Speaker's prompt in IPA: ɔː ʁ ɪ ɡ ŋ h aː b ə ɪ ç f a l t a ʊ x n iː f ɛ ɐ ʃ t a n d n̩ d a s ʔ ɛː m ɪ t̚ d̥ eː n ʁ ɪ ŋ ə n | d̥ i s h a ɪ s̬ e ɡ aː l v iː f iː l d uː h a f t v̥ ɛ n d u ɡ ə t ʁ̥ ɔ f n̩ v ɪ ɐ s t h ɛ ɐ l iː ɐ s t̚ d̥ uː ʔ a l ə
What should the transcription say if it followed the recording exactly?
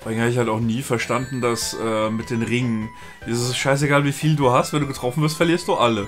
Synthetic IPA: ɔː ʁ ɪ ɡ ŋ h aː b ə ɪ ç h a l t a ʊ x n iː f ɛ ɐ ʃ t a n d n̩ d a s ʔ ɛː m ɪ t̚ d̥ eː n ʁ ɪ ŋ ə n | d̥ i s ʃ a ɪ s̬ e ɡ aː l v iː f iː l d uː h a s t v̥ ɛ n d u ɡ ə t ʁ̥ ɔ f n̩ v ɪ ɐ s t f ɛ ɐ l iː ɐ s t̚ d̥ uː ʔ a l ə